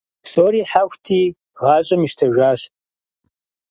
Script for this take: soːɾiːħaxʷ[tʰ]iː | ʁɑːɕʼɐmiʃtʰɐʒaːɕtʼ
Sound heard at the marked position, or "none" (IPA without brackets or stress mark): tʰ